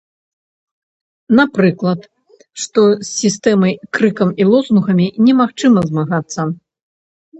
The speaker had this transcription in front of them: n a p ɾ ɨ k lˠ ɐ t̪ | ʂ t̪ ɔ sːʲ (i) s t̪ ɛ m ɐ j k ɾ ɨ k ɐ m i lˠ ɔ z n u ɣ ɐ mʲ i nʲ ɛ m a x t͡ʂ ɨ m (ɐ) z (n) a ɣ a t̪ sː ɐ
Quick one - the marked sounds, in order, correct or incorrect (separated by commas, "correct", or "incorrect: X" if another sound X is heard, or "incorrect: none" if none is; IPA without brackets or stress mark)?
correct, correct, incorrect: m